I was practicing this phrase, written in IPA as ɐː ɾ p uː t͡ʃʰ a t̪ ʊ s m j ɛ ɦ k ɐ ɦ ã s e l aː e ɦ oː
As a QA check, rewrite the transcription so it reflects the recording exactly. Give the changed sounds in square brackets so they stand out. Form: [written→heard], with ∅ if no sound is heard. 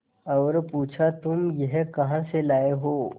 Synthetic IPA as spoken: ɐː ɾ p uː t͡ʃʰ a t̪ ʊ [s→∅] m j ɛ ɦ k ɐ ɦ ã s e l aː e ɦ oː